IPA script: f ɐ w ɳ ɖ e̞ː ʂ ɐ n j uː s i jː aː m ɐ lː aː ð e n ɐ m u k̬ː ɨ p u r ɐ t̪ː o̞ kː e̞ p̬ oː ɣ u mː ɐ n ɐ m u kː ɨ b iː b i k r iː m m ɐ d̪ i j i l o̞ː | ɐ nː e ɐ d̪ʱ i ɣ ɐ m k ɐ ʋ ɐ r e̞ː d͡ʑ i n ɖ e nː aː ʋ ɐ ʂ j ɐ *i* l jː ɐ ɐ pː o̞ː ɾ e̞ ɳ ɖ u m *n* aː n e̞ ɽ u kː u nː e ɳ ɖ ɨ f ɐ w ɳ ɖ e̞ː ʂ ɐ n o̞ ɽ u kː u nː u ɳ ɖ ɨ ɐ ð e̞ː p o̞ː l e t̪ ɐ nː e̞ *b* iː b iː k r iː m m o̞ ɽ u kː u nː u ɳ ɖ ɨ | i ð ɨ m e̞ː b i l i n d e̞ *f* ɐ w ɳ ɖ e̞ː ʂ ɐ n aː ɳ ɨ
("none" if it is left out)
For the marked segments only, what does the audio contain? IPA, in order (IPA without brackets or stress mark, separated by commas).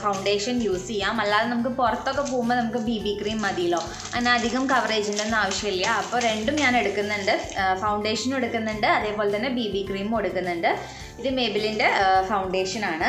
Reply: i, ɲ, b, f